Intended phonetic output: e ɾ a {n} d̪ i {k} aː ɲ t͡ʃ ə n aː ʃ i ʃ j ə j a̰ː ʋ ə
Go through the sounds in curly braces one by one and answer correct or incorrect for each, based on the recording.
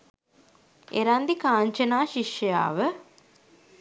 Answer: correct, correct

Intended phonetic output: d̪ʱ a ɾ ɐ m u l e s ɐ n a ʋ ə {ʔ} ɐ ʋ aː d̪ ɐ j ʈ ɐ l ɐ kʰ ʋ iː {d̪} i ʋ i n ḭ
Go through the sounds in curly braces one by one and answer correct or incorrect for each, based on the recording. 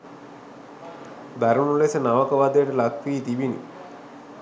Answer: incorrect: k, incorrect: t̪

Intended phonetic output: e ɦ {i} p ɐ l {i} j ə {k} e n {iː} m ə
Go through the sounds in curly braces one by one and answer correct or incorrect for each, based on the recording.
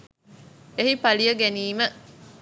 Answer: correct, correct, incorrect: ɡ, correct

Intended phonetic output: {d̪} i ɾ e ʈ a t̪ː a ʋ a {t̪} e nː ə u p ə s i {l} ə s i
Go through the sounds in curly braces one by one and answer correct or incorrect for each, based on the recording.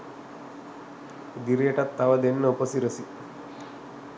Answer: correct, incorrect: d̪, incorrect: ɾ

